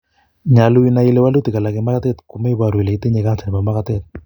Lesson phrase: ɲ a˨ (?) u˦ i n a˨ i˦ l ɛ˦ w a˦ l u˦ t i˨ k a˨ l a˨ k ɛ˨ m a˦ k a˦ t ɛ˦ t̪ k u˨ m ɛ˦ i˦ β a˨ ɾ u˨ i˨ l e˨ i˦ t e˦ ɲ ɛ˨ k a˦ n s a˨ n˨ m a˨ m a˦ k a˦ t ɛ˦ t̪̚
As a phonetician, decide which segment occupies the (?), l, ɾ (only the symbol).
l